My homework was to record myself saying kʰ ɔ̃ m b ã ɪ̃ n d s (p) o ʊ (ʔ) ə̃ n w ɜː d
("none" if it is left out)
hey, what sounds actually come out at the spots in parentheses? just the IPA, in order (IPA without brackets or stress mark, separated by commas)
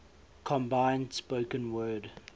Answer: p, k